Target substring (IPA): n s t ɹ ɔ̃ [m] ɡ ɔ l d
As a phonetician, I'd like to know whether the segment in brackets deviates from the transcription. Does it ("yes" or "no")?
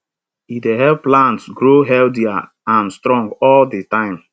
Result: yes